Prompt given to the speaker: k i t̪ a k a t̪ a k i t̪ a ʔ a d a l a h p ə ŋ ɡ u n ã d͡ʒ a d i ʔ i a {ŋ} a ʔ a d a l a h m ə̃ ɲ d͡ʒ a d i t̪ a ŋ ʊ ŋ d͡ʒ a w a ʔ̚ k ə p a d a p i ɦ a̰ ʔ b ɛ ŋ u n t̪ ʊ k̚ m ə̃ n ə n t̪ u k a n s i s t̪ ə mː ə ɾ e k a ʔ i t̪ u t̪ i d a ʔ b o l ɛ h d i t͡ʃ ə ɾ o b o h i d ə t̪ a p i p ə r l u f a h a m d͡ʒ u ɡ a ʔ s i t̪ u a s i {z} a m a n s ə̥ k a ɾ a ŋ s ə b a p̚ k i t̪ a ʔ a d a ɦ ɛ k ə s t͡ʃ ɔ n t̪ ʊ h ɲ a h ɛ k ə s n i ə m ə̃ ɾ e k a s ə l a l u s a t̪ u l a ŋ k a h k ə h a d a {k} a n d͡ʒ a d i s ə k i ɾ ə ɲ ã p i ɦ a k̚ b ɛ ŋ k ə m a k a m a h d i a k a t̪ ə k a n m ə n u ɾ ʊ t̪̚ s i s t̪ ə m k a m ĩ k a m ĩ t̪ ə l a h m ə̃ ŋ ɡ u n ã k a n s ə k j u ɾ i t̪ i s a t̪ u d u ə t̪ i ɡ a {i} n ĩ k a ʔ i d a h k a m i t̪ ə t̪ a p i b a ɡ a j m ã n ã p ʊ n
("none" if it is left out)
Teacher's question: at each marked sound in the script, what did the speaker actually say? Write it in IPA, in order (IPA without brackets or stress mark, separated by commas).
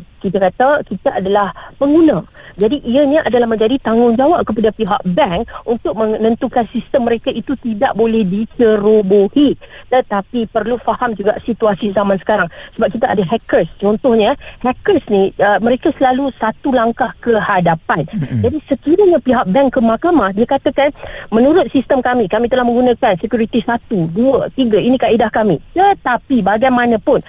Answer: ɲ, z, p, i